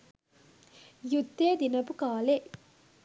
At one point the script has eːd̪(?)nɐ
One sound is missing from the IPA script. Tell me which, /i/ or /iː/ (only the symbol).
i